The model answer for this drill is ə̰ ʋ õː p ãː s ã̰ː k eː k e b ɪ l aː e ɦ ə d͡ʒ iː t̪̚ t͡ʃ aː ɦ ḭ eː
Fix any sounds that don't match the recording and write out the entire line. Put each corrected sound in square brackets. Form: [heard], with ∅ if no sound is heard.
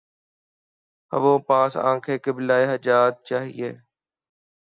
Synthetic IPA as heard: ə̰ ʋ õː p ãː s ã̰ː [kʰ] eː k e b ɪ l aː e ɦ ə d͡ʒ [aː] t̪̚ t͡ʃ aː ɦ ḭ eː